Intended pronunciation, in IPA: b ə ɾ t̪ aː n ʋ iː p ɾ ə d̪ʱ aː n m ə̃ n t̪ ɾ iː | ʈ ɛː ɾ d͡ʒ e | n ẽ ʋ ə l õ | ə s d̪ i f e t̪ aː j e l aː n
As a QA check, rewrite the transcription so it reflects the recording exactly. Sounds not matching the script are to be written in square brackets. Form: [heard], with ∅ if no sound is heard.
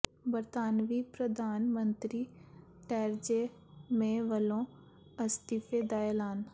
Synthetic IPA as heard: b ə ɾ t̪ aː n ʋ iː p ɾ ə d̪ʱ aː n m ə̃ n t̪ ɾ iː | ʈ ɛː ɾ d͡ʒ e | [m] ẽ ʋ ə l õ | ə s [t̪] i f e [d̪] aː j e l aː n